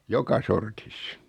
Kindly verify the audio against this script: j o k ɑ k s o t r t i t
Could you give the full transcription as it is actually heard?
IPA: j o k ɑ s o r t i s